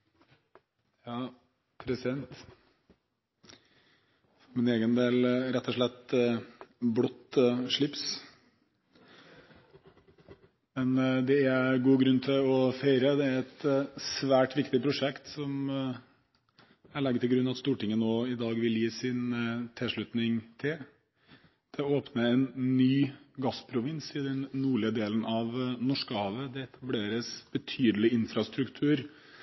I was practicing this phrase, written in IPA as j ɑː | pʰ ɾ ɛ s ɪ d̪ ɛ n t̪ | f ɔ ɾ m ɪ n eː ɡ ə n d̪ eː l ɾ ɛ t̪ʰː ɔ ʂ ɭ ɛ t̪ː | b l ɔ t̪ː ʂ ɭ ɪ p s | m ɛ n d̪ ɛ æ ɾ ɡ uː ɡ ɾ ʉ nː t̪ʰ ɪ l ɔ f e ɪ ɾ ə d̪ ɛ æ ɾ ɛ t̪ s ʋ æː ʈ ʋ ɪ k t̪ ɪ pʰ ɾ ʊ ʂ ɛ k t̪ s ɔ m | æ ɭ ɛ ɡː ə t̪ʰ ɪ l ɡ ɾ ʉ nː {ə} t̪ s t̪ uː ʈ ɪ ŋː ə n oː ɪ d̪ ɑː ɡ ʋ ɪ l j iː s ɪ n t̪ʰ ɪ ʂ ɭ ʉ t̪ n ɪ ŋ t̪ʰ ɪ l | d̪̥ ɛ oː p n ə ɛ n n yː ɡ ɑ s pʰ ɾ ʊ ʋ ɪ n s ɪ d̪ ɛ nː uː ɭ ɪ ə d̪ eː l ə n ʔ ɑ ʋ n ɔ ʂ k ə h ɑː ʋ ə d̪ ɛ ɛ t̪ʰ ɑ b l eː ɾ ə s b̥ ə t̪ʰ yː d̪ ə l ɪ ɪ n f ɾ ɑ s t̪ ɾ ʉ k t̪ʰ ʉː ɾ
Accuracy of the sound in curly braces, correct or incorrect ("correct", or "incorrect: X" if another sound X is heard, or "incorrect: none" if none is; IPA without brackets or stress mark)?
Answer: incorrect: ɑ